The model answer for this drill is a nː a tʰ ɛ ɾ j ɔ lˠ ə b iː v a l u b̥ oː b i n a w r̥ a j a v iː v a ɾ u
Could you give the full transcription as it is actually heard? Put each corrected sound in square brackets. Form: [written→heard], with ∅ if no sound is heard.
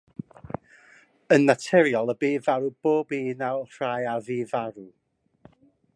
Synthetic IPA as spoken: [a→ə] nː a tʰ ɛ ɾ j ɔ lˠ ə b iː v a [l→ɾ] u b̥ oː b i n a w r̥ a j a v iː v a ɾ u